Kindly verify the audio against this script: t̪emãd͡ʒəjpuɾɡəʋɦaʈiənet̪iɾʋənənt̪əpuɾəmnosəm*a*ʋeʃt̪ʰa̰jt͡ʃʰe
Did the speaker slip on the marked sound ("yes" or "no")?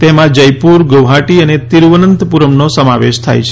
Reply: no